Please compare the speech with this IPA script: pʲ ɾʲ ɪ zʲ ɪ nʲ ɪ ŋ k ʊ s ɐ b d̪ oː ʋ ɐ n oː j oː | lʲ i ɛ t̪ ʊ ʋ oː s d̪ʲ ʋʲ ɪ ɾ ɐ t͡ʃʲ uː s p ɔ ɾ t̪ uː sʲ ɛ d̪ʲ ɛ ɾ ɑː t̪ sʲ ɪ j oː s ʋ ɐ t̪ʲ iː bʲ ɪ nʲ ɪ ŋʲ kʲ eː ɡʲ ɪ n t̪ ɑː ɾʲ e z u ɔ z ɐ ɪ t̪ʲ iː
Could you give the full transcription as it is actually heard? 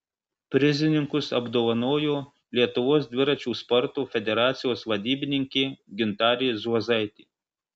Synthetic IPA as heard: pʲ ɾʲ ɪ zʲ ɪ nʲ ɪ ŋ k ʊ s ɐ b d̪ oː ʋ ɐ n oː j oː | lʲ i ɛ t̪ ʊ ʋ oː s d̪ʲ ʋʲ ɪ ɾ ɐ t͡ʃʲ uː s p ɔ ɾ t̪ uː fʲ ɛ d̪ʲ ɛ ɾ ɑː t̪ sʲ ɪ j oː s ʋ ɐ d̪ʲ iː bʲ ɪ nʲ ɪ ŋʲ kʲ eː ɡʲ ɪ n t̪ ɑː ɾʲ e z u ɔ z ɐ ɪ t̪ʲ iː